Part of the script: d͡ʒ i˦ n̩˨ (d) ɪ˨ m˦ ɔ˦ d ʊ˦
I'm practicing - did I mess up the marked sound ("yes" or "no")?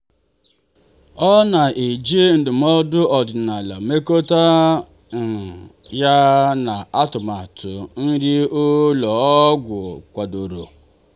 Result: no